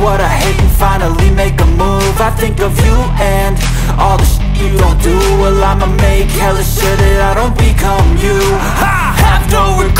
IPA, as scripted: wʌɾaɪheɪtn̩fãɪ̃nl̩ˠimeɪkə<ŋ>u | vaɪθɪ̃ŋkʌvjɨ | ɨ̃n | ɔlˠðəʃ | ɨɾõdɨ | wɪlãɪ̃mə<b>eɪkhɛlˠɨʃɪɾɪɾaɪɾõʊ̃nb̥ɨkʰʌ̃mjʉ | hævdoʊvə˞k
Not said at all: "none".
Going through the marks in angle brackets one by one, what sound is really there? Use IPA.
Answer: m, m

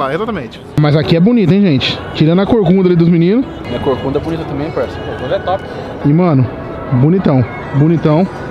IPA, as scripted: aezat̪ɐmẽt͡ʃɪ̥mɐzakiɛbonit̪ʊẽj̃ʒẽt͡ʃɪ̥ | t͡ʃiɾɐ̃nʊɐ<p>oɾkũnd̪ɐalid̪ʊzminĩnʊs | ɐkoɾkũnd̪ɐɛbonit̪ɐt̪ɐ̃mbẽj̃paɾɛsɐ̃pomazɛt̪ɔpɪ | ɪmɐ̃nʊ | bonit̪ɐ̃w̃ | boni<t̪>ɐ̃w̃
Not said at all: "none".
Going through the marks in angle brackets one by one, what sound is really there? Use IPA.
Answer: k, t̪

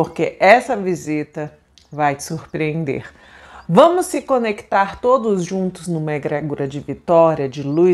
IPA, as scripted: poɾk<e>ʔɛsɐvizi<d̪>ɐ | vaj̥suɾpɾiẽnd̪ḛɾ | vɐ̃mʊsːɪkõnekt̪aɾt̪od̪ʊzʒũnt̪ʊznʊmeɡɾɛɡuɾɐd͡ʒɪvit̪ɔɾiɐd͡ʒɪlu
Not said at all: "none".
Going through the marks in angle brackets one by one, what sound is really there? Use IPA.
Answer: e, t̪

